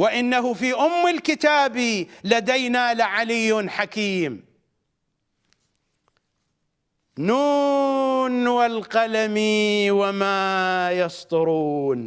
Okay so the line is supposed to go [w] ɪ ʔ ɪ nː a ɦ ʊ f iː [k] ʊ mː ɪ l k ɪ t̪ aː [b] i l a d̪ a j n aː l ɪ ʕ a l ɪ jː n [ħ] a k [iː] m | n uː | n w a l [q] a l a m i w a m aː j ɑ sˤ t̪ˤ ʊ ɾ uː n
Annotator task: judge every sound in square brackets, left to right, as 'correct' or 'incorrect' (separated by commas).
correct, incorrect, correct, correct, correct, correct